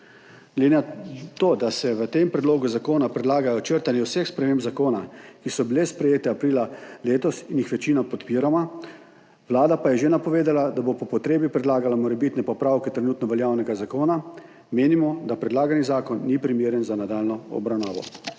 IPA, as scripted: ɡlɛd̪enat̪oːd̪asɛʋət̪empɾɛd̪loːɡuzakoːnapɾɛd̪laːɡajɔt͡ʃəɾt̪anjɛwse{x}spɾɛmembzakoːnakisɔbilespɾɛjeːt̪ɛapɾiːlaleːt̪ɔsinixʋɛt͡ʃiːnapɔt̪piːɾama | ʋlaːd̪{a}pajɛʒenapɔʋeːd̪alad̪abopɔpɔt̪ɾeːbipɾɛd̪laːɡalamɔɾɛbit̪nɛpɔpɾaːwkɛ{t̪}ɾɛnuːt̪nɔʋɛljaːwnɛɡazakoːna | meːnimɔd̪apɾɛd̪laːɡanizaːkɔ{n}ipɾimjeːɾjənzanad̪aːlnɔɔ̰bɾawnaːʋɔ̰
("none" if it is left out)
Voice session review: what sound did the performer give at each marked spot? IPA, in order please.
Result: x, a, t̪, nː

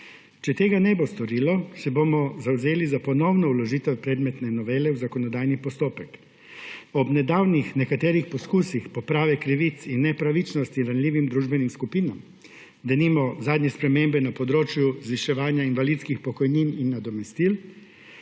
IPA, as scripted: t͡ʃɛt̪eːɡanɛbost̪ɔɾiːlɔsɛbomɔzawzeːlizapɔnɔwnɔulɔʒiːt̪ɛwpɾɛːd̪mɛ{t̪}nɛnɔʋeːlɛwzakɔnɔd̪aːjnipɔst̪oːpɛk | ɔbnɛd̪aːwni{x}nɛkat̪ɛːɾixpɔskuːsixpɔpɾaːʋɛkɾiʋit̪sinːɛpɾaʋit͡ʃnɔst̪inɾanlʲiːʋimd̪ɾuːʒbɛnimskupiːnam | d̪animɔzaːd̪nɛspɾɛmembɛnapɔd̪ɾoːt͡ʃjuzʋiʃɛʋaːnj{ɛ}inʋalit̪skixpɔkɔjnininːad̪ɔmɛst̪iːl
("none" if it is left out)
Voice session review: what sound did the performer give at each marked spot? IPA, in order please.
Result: t̪, x, a

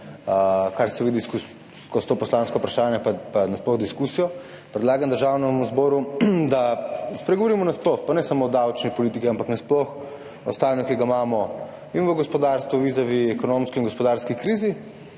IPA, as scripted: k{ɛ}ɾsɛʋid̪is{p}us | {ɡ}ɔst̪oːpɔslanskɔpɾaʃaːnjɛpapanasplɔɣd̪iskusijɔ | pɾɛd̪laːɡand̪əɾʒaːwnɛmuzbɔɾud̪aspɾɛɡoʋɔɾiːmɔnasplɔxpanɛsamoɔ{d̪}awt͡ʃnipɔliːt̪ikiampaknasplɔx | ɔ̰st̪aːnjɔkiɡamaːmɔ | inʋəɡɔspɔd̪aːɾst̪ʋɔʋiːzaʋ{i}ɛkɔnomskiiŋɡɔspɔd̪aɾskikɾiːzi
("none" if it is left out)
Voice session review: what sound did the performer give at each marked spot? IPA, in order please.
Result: a, k, k, d̪, i

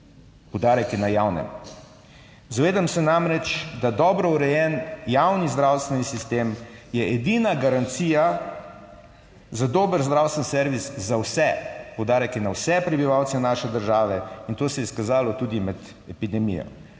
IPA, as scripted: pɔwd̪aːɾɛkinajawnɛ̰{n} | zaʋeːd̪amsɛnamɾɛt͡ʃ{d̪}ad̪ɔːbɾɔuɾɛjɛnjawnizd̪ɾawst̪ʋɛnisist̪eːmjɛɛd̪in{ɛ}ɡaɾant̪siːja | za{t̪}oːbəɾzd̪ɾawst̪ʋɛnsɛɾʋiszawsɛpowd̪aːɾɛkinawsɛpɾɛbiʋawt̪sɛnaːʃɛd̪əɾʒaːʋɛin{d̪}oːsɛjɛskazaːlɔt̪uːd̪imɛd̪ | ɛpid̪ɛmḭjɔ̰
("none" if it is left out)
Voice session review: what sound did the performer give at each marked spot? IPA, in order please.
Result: m, d̪, a, d̪, t̪

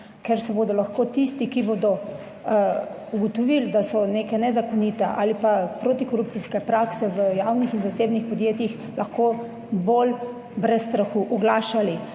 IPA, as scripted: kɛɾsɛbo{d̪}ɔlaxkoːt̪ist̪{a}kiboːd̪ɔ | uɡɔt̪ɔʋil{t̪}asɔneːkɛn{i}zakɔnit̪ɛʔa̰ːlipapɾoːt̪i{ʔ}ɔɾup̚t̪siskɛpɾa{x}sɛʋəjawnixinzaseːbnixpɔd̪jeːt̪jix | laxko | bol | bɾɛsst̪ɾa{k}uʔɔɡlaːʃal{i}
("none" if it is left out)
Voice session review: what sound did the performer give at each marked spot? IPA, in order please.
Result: d̪, i, d̪, ɛ, k, k, x, i

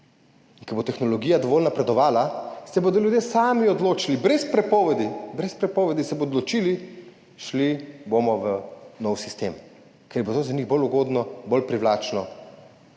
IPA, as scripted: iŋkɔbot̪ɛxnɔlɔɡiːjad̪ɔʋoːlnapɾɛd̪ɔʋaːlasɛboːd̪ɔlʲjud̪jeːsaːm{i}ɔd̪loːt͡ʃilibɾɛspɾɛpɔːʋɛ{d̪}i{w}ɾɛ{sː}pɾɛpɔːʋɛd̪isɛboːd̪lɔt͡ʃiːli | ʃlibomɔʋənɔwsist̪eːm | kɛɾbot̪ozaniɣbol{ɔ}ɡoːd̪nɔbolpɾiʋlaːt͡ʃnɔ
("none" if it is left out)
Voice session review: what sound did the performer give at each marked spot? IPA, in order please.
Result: i, d̪, b, s, u

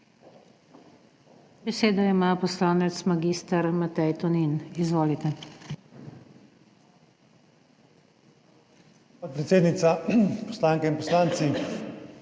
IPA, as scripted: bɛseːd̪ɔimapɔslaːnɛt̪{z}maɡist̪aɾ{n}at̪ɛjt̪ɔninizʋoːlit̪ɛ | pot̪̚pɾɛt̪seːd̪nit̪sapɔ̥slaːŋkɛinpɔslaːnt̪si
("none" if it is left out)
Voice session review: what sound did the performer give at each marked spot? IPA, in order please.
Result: s, m

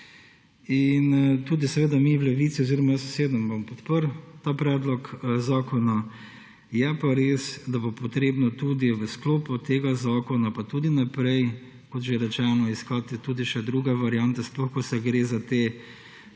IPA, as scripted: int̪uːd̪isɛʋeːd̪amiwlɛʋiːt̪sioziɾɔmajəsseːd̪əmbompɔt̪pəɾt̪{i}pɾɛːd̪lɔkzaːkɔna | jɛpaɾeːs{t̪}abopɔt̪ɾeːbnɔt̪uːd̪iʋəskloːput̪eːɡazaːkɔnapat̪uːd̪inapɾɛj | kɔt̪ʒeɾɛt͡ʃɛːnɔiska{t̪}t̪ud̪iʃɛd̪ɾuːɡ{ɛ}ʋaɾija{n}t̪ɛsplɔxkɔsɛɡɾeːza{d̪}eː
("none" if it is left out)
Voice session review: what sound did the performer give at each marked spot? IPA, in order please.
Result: a, d̪, t̪, ɛ, n, t̪

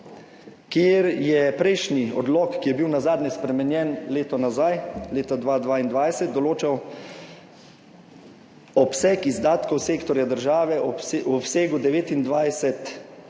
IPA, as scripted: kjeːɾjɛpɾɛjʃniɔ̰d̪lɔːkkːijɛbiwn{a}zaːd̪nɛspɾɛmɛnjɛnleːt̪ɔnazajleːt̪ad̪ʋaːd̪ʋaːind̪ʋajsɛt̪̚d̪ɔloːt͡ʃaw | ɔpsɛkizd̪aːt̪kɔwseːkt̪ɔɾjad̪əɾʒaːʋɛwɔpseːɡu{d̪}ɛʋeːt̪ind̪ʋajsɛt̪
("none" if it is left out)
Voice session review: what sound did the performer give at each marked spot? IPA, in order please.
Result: a, d̪

